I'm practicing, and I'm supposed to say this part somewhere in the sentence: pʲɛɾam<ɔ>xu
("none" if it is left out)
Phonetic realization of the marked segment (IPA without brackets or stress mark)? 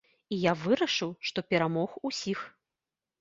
ɔ